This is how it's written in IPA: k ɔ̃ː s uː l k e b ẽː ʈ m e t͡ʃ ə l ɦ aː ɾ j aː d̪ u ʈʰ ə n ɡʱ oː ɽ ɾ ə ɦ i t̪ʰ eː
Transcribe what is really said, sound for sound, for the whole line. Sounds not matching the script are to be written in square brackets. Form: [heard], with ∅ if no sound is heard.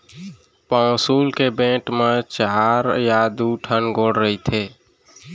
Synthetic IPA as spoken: [p] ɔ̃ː s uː l k e b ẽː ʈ m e t͡ʃ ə [∅] ɦ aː ɾ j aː d̪ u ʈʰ ə n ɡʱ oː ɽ ɾ ə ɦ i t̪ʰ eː